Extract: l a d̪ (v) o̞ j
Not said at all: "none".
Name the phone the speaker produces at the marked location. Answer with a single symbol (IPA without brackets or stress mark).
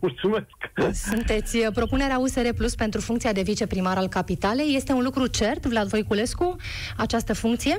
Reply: v